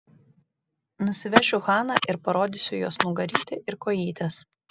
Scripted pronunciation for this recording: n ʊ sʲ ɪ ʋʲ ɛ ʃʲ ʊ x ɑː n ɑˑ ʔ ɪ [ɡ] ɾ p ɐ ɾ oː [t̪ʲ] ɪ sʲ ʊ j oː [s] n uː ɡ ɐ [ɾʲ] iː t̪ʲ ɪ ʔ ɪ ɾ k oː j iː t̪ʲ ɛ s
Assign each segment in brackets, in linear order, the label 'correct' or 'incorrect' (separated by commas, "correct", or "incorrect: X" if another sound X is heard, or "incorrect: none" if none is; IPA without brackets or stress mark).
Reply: incorrect: none, incorrect: d̪ʲ, correct, correct